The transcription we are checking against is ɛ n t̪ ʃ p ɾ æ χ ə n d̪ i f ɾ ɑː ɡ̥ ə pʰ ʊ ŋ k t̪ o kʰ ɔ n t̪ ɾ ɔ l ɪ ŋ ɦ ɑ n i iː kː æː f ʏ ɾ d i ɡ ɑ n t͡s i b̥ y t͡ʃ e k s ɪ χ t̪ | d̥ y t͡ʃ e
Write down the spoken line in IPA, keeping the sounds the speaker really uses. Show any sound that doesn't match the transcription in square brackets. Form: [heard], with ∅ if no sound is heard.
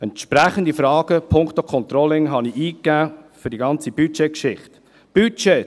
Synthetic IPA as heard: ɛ n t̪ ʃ p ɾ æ χ ə n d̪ i f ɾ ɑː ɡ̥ ə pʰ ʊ ŋ k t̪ o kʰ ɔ n t̪ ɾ ɔ l ɪ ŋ ɦ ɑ n i iː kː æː f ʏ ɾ d i ɡ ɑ n t͡s i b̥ y t͡ʃ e k [ʃ] ɪ χ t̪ | [b̥] y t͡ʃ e